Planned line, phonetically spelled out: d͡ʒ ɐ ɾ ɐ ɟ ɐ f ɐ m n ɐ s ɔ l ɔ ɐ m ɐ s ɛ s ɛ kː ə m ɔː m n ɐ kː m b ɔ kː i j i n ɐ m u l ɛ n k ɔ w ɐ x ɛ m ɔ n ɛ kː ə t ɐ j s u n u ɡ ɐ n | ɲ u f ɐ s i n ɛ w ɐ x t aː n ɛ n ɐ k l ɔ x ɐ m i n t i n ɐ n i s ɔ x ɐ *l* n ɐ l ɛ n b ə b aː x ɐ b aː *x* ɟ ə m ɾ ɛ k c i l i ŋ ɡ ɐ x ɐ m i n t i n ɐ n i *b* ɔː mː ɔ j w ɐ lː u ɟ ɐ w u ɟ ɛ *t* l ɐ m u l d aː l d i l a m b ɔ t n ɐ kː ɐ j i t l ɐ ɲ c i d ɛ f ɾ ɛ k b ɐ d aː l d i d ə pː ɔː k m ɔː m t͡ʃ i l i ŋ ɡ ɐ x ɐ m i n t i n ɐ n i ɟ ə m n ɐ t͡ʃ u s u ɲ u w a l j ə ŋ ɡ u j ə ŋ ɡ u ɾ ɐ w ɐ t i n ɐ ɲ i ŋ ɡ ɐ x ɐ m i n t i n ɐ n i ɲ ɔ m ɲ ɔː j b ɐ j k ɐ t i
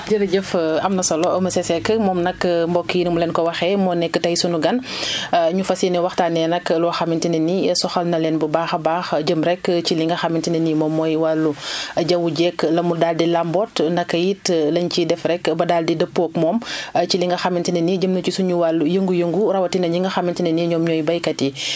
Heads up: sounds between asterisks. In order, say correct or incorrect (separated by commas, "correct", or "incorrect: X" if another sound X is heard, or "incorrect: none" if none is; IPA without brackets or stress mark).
correct, correct, incorrect: m, incorrect: k